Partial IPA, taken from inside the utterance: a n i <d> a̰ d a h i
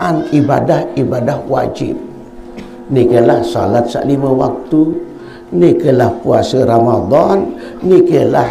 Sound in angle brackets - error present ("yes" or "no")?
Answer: yes